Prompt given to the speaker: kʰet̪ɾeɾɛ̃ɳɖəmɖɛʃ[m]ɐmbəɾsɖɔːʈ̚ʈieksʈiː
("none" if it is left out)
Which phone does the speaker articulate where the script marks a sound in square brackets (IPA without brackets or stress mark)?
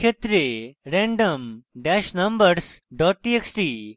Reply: n